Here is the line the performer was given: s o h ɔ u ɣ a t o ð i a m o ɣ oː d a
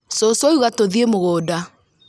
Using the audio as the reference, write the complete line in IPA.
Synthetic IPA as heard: s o s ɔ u ɣ a t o ð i e m o ɣ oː d a